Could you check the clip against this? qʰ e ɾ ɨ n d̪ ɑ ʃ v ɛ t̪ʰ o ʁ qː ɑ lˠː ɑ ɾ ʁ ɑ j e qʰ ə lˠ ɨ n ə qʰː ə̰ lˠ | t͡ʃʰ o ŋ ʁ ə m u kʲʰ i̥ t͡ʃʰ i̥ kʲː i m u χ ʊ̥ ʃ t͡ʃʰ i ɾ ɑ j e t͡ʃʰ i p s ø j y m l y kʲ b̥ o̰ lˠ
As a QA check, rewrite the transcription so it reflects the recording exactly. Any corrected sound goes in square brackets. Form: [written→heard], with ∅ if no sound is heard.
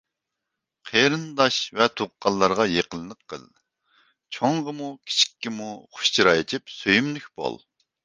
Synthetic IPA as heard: qʰ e ɾ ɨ n d̪ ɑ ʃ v ɛ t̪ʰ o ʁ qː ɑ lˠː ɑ ɾ ʁ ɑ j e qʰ ə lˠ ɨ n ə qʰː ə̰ lˠ | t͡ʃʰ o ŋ ʁ ə m u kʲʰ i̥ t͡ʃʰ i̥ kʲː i m u χ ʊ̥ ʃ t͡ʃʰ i ɾ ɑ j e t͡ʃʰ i p s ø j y m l y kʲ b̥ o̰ lˠ